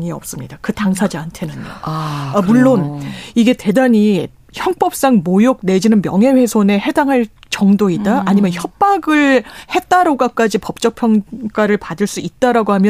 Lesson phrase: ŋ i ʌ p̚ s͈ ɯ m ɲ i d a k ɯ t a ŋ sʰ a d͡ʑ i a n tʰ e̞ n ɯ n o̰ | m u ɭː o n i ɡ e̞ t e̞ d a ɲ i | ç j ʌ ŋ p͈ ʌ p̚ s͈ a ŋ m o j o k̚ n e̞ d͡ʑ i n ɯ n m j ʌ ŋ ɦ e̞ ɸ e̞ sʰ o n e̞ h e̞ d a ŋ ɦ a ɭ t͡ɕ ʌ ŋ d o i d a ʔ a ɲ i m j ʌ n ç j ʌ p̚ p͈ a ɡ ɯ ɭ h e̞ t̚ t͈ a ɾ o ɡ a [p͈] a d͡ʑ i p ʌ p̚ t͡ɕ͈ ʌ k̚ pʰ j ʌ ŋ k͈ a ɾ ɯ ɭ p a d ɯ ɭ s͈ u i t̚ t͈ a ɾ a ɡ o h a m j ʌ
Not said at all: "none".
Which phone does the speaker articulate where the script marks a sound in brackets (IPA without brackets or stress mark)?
k͈